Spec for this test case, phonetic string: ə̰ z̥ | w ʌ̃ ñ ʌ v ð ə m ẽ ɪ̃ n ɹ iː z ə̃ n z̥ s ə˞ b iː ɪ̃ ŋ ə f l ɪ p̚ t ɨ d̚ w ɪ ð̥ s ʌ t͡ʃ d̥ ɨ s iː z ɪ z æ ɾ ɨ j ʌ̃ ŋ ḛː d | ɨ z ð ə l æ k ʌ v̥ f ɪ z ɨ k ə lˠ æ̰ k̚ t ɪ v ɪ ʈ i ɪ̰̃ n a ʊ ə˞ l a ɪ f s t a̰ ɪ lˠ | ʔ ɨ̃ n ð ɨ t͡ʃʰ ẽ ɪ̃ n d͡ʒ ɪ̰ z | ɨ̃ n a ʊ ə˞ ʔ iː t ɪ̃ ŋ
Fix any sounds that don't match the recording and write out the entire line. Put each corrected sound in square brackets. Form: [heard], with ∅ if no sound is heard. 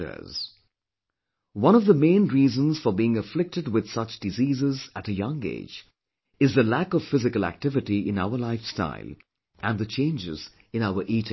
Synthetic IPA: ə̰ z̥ | w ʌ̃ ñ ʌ v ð ə m ẽ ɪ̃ n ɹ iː z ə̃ n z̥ [f] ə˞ b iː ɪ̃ ŋ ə f l ɪ [k̚] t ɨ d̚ w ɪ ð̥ s ʌ t͡ʃ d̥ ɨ [z] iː z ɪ z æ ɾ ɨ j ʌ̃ ŋ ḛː [d͡ʒ] | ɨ z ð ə l æ k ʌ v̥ f ɪ z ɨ k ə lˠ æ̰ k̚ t ɪ v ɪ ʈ i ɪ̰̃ n a ʊ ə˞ l a ɪ f s t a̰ ɪ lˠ | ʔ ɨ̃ n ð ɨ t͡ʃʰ ẽ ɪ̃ n d͡ʒ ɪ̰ z | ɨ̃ n a ʊ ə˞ ʔ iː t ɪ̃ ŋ